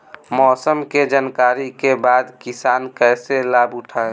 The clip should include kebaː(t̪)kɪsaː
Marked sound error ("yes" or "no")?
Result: yes